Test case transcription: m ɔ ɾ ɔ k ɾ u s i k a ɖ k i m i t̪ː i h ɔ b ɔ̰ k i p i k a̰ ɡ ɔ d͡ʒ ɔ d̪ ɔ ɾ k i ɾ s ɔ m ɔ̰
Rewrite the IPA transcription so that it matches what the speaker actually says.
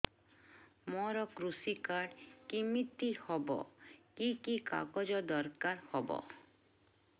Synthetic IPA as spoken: m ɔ ɾ ɔ k ɾ u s i k a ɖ k i m i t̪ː i h ɔ b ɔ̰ k i k i k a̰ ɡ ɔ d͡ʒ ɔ d̪ ɔ ɾ k a ɾ h ɔ b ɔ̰